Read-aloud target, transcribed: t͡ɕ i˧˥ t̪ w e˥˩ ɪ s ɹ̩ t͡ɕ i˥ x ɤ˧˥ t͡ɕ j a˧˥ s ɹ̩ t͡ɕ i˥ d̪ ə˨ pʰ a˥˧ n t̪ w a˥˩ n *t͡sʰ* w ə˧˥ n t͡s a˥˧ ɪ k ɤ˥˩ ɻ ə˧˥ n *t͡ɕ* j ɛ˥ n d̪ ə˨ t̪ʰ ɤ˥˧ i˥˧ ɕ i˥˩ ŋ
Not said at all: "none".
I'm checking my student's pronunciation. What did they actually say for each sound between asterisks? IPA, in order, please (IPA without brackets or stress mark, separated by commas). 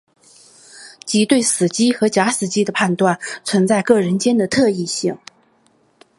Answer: t͡sʰ, t͡ɕ